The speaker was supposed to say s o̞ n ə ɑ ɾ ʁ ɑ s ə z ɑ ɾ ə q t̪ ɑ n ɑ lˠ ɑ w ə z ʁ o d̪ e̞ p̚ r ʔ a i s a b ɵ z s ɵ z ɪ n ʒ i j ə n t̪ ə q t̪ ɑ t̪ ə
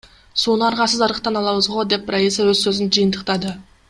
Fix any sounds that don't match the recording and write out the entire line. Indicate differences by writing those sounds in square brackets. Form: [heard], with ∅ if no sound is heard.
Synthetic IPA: s o̞ n ə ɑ ɾ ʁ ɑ s ə z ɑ ɾ ə q t̪ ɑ n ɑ lˠ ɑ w ə z ʁ o d̪ e̞ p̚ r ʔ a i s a [w] ɵ z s ɵ z ɪ n ʒ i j ə n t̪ ə q t̪ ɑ [d̪] ə